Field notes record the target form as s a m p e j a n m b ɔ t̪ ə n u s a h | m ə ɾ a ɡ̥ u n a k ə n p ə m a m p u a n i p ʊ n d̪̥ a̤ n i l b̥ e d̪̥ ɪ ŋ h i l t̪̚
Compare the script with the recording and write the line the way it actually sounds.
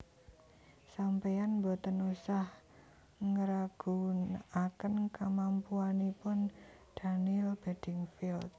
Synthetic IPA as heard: s a m p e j a n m b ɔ t̪ ə n u s a h | ŋ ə ɾ a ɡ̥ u n a k ə n k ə m a m p u a n i p ʊ n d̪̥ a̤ n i l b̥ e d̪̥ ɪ ŋ f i l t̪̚

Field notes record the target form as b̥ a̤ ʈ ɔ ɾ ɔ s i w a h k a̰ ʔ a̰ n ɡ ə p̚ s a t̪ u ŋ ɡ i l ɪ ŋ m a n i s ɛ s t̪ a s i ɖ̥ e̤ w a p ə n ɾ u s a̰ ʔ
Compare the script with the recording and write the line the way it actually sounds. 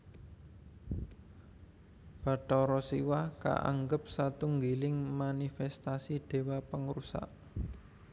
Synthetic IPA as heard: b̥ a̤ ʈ ɔ ɾ ɔ s i w a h k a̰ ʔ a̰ ŋ ɡ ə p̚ s a t̪ u ŋ ɡ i l ɪ ŋ m a n i f ɛ s t̪ a s i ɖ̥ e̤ w a p ə ŋ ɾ u s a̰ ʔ

